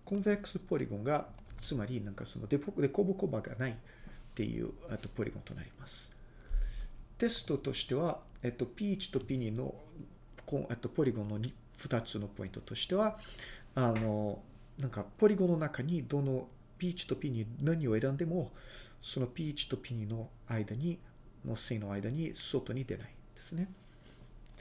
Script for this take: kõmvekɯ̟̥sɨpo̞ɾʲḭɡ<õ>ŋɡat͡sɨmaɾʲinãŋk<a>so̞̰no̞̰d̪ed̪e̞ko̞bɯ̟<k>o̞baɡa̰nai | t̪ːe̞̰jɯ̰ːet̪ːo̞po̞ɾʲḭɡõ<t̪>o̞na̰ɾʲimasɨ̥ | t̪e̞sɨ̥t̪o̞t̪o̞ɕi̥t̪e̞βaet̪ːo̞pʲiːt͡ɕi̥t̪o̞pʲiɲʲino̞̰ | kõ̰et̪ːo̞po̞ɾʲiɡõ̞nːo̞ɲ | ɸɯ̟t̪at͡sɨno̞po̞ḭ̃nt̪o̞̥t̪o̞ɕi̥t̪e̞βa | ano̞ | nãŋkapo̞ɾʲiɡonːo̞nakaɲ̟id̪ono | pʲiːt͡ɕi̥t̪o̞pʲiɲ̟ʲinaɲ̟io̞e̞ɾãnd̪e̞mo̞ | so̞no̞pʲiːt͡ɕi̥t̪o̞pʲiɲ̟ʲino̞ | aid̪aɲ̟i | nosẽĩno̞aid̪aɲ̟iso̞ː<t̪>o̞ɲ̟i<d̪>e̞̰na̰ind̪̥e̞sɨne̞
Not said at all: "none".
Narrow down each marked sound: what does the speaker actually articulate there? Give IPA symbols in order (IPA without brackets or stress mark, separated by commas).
õ, a, k, t̪, t̪, d̪